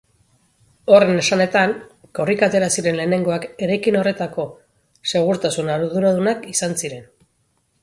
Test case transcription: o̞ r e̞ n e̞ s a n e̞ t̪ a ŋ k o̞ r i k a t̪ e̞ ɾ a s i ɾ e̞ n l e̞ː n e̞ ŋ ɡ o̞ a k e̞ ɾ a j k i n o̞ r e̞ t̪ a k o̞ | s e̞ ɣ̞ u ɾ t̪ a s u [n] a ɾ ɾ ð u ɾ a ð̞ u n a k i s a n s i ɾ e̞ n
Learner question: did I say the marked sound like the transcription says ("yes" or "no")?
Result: yes